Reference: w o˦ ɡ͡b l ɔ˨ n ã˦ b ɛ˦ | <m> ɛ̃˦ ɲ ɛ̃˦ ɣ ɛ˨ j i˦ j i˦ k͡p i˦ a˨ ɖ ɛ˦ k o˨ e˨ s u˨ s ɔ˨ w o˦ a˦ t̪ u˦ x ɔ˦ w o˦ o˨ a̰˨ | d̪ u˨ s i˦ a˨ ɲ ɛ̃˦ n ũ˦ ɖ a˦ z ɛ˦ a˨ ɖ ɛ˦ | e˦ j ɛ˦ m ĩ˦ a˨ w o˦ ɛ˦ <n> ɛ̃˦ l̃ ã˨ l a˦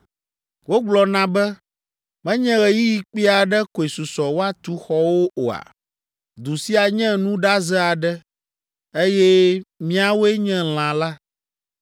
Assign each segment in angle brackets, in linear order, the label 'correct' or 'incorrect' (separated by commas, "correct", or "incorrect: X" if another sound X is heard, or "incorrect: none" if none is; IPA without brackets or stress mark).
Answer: correct, incorrect: ɲ